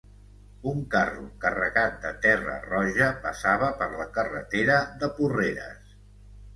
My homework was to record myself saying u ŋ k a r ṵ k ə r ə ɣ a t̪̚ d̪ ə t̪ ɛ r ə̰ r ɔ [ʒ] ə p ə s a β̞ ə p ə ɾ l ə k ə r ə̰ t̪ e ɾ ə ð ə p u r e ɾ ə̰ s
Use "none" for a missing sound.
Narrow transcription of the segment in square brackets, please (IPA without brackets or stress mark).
ʒ